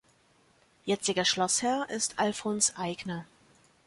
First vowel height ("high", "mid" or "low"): mid